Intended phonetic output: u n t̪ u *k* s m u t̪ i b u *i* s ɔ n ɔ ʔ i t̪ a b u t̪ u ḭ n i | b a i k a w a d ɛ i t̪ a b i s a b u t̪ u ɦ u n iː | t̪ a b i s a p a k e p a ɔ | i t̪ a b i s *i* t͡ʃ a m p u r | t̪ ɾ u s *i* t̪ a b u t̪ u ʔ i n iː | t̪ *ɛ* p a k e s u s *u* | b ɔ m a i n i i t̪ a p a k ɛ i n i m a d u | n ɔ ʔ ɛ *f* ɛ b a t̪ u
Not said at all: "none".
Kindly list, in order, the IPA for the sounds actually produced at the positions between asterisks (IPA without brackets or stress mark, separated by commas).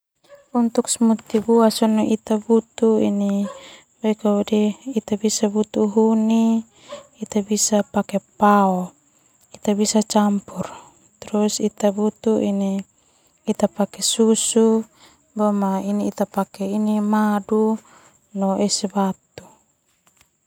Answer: k, a, a, i, a, u, s